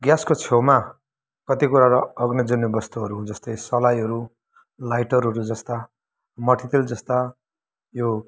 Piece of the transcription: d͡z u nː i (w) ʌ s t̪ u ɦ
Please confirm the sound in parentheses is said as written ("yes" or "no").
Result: no